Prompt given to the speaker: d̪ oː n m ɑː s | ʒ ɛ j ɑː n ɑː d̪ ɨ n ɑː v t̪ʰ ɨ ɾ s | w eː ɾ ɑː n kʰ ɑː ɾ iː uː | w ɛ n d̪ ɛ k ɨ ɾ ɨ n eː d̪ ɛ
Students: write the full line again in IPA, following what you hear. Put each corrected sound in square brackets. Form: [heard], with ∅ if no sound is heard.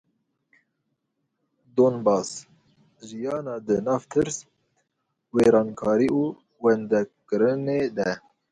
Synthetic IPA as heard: d̪ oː n [b] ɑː s | ʒ [i] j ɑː n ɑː d̪ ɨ n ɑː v t̪ʰ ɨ ɾ s | w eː ɾ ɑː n kʰ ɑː ɾ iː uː | w ɛ n d̪ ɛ k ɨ ɾ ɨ n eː d̪ ɛ

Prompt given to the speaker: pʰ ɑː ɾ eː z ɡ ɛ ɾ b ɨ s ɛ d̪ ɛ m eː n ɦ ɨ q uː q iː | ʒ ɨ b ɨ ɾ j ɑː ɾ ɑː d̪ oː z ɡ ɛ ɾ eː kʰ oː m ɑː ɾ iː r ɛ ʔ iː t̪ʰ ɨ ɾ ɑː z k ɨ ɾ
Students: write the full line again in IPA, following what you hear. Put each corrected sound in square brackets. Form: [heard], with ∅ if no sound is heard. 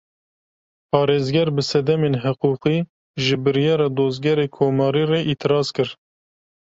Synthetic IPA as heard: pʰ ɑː ɾ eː z ɡ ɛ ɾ b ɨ s ɛ d̪ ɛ m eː n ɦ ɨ q uː q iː | ʒ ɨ b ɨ ɾ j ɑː ɾ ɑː d̪ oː z ɡ ɛ ɾ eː kʰ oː m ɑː ɾ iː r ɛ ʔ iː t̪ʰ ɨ ɾ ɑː z k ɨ ɾ

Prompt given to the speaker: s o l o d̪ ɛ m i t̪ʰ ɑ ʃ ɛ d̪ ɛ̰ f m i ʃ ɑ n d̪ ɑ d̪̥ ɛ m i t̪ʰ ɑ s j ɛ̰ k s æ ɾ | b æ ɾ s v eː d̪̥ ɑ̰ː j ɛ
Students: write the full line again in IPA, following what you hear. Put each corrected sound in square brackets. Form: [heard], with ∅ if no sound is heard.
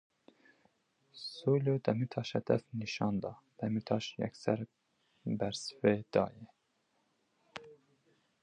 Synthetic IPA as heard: s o l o d̪ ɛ m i t̪ʰ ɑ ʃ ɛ d̪ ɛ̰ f [n] i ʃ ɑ n d̪ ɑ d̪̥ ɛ m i t̪ʰ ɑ [ʃ] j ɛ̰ k s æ ɾ | b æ ɾ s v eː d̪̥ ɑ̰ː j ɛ

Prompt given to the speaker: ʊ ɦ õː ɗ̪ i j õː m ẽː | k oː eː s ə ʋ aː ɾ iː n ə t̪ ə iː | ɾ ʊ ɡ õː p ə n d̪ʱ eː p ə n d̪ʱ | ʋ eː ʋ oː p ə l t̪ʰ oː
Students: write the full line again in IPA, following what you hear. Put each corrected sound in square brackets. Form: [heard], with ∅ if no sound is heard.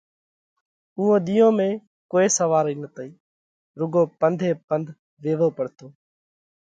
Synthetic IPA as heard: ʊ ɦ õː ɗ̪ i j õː m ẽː | k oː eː s ə ʋ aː ɾ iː n ə t̪ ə iː | ɾ ʊ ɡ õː p ə n d̪ʱ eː p ə n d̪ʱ | ʋ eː ʋ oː p ə [ɽ] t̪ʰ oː

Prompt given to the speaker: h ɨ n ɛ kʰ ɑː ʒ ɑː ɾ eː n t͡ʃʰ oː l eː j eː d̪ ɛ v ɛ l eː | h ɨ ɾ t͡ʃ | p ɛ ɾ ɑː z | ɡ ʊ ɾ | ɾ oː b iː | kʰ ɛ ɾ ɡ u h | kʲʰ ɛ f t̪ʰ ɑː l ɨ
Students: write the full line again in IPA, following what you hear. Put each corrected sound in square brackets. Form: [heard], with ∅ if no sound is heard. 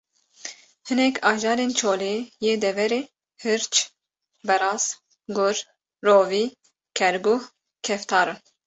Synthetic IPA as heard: h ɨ n ɛ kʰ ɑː ʒ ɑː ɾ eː n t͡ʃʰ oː l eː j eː d̪ ɛ v ɛ [ɾ] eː | h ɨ ɾ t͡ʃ | [b] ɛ ɾ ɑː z | ɡ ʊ ɾ | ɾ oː [v] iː | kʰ ɛ ɾ ɡ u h | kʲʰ ɛ f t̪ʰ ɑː [ɾ] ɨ

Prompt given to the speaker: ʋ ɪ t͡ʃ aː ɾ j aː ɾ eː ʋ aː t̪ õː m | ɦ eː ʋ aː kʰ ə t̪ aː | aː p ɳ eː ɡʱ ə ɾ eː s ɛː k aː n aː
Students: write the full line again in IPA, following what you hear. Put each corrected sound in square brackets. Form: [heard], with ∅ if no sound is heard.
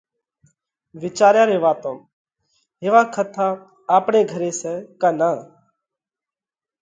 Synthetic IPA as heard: ʋ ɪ t͡ʃ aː ɾ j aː ɾ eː ʋ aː t̪ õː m | ɦ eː ʋ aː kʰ ə [t̪ʰ] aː | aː p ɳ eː ɡʱ ə ɾ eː s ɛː k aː n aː

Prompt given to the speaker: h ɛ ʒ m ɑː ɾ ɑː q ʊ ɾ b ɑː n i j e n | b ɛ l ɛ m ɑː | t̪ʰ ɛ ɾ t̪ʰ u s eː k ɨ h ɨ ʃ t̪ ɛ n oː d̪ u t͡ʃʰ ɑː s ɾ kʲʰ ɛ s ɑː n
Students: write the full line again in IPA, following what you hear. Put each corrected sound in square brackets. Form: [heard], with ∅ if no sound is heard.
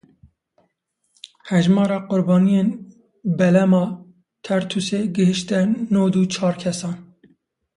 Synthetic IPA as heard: h ɛ ʒ m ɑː ɾ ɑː q ʊ ɾ b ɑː n i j e n | b ɛ l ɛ m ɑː | t̪ʰ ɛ ɾ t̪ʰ u s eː [ɡ] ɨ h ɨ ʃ t̪ ɛ n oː d̪ u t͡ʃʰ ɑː [∅] ɾ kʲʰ ɛ s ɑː n

